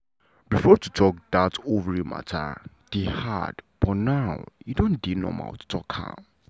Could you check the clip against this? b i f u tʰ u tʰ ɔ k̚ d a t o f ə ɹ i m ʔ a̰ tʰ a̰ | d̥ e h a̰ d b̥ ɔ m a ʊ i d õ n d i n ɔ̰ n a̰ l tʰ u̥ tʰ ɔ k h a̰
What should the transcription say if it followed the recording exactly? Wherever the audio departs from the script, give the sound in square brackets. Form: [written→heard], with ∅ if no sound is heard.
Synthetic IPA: b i f [u→ɔ] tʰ u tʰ ɔ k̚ d a t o [f→v] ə ɹ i m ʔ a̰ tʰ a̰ | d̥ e h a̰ d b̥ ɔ [m→n] a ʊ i d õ n d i n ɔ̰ [n→m] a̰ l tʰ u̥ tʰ ɔ k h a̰